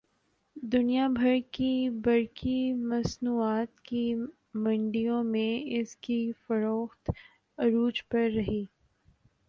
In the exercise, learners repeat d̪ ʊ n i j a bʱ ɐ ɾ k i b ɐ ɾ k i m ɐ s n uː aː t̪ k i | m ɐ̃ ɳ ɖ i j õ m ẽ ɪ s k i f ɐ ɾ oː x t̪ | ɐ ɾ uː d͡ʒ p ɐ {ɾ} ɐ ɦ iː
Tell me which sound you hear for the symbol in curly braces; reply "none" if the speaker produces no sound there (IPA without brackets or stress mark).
ɾː